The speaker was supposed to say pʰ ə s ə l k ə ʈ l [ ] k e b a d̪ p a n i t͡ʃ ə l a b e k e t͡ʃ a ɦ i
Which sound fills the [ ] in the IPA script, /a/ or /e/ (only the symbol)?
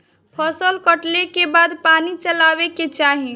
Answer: e